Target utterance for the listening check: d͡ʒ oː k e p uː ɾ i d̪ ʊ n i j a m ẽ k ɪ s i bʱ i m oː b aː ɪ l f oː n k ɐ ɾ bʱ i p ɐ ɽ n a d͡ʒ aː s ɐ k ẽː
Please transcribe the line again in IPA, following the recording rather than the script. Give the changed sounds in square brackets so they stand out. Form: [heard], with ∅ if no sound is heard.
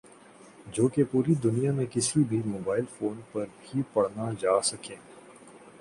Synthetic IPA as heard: d͡ʒ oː k e p uː ɾ i d̪ ʊ n i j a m ẽ k ɪ s i bʱ i m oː b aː ɪ l f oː n [p] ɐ ɾ bʱ i p ɐ ɽ n a d͡ʒ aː s ɐ k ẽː